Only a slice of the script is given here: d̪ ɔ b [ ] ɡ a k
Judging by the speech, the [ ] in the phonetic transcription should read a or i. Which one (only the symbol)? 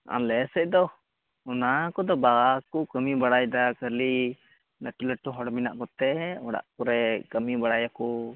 a